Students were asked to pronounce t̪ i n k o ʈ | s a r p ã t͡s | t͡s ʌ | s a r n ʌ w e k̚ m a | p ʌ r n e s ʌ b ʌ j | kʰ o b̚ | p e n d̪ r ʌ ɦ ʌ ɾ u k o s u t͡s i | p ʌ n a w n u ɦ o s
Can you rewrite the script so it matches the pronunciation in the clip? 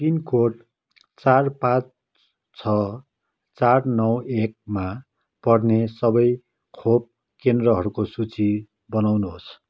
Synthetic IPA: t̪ i n k o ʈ | t͡s a r p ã t͡s | t͡sʰ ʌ | t͡s a r n ʌ w e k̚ m a | p ʌ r n e s ʌ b ʌ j | kʰ o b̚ | k e n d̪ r ʌ ɦ ʌ ɾ u k o s u t͡s i | b ʌ n a w n u ɦ o s